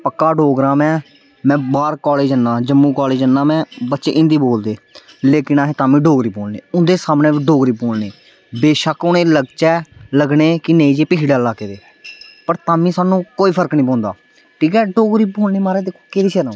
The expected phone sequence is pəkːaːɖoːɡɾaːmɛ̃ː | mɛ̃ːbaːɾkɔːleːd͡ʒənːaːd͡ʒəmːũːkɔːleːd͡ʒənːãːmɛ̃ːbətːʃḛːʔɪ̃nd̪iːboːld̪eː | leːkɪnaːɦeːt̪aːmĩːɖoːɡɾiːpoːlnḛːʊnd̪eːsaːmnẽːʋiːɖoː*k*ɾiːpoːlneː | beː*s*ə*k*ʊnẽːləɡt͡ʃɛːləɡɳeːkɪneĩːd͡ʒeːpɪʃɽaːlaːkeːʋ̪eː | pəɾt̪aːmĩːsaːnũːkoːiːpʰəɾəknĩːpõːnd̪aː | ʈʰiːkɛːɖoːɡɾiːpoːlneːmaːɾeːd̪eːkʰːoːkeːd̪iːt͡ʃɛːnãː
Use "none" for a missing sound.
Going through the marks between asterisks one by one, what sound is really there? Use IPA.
ɡ, ʃ, k

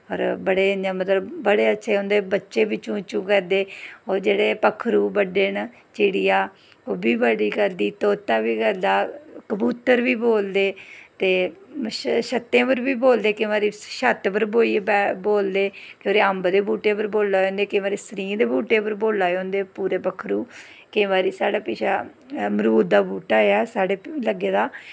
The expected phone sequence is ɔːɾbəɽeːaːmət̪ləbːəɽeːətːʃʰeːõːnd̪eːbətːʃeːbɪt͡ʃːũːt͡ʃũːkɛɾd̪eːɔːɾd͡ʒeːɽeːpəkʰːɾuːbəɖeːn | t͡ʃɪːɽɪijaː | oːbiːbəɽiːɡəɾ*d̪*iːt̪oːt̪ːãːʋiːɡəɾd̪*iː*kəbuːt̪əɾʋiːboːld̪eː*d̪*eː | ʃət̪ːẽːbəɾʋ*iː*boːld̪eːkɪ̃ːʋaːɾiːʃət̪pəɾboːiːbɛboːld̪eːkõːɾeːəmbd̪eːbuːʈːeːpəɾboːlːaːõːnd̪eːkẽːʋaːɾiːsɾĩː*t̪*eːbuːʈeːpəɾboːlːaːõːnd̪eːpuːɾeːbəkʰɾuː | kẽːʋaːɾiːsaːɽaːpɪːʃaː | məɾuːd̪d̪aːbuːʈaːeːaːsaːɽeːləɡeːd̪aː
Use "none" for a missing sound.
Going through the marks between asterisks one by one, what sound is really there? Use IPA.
d̪, aː, t̪, iː, d̪

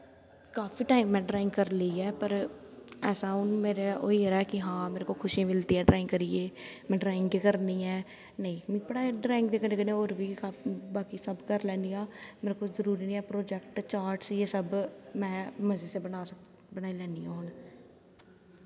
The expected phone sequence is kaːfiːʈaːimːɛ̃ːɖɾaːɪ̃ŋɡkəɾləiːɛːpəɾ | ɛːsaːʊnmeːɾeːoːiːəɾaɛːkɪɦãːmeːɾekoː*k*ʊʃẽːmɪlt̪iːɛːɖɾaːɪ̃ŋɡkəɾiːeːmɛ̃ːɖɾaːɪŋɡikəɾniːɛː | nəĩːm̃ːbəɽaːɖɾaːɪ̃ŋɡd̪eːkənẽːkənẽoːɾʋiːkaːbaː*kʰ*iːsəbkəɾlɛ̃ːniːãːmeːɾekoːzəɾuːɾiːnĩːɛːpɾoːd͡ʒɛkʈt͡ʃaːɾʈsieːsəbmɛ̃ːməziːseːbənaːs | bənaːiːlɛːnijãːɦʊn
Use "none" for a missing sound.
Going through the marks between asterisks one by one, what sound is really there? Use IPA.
kʰ, k

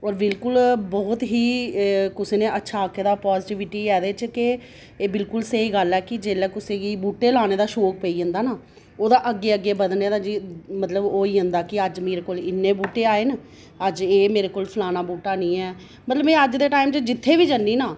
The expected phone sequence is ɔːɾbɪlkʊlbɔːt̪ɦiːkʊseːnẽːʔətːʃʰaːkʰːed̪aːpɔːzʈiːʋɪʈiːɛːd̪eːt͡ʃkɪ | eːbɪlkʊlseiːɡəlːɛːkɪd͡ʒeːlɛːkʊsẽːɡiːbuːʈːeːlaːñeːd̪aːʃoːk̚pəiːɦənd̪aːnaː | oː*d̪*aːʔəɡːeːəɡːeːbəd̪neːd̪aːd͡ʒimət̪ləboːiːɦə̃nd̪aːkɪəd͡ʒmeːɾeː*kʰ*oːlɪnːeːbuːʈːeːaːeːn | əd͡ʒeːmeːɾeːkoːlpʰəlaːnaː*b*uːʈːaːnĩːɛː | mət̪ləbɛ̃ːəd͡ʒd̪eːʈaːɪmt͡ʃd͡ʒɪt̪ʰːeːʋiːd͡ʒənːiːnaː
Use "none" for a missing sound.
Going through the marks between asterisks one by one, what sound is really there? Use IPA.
d̪, k, b

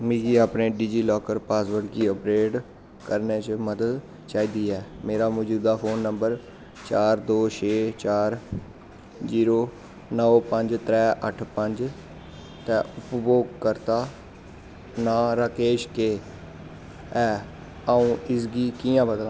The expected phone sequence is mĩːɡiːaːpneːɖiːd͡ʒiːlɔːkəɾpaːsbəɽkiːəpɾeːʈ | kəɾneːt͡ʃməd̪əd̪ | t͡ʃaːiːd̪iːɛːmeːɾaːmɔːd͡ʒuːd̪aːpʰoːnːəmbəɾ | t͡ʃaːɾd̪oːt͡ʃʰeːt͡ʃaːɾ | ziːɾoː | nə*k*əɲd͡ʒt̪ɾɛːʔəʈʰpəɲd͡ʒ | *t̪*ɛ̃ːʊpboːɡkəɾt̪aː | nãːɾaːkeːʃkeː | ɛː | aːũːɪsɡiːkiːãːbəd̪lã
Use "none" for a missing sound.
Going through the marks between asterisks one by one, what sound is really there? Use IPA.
p, t̪

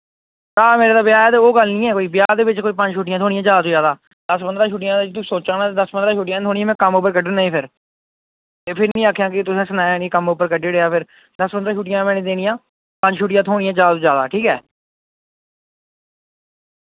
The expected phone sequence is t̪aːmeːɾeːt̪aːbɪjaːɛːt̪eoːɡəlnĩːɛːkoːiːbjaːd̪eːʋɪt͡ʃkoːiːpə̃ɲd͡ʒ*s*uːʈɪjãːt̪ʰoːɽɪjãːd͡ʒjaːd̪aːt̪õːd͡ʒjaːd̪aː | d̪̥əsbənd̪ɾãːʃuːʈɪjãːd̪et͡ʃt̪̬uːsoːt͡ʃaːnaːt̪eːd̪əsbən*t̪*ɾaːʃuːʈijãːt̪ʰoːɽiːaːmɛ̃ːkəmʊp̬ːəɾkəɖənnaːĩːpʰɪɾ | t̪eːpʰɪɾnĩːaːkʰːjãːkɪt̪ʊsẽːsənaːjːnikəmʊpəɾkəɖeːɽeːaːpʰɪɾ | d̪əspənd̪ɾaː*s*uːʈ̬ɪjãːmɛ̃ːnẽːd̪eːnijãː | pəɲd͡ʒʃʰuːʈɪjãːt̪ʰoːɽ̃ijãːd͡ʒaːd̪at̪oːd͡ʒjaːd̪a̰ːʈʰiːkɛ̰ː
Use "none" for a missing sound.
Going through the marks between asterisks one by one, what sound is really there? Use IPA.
ʃ, d̪, ʃ

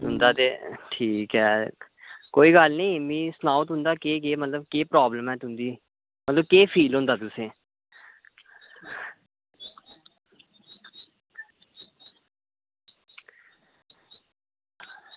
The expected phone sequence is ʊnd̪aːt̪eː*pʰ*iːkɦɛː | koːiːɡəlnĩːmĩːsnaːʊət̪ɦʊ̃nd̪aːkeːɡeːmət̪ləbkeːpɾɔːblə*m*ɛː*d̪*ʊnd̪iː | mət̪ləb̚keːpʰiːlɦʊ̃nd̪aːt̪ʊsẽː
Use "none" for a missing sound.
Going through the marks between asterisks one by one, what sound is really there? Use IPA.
ʈʰ, m, t̪

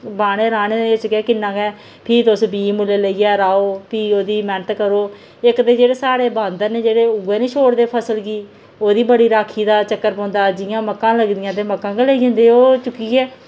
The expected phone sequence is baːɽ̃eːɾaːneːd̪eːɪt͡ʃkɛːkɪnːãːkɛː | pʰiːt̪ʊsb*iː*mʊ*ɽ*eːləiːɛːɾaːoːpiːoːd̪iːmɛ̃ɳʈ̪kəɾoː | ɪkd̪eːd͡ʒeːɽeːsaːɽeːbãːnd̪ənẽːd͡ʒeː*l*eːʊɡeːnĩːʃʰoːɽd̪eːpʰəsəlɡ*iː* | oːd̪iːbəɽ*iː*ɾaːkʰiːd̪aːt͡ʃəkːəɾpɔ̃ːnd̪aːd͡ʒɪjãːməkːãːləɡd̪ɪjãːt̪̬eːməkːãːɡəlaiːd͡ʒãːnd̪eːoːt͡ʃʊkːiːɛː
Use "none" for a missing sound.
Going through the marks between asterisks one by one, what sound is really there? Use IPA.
iː, l, ɽ, iː, iː

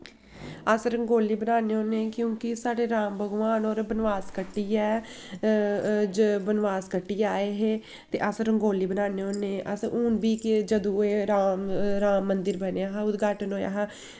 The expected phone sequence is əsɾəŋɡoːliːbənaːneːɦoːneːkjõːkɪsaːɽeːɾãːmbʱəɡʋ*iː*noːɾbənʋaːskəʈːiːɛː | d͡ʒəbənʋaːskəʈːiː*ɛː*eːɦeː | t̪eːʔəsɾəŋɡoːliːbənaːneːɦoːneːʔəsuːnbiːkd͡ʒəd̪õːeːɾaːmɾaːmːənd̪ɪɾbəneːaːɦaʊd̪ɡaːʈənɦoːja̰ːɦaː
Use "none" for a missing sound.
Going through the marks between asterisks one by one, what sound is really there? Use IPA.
aː, aː

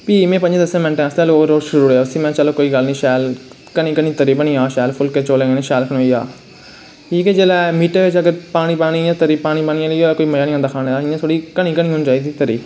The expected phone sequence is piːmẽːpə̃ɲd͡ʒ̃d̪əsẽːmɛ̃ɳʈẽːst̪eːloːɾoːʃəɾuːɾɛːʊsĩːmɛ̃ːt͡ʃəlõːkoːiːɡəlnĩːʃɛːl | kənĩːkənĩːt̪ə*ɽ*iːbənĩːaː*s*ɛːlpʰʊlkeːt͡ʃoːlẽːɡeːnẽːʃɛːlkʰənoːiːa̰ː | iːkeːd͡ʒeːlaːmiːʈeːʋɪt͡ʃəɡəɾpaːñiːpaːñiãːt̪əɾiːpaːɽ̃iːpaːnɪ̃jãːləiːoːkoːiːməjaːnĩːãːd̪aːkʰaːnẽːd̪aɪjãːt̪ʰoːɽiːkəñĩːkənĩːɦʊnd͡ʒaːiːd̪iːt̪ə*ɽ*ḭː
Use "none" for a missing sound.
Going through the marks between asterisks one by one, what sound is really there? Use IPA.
ɾ, ʃ, ɾ

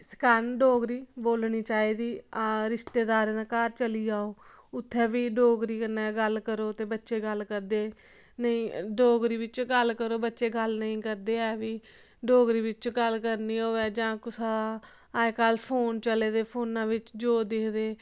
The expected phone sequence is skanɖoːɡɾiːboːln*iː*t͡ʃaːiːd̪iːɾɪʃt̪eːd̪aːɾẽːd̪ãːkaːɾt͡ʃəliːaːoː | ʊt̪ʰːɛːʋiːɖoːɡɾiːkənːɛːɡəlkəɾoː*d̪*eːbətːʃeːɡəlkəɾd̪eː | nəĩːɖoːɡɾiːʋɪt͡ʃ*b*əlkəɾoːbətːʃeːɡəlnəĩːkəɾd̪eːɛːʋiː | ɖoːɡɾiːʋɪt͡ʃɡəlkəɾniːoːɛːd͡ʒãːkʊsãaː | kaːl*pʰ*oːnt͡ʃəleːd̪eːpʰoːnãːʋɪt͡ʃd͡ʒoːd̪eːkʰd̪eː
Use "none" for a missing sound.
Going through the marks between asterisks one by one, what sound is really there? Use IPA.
iː, t̪, ɡ, pʰ

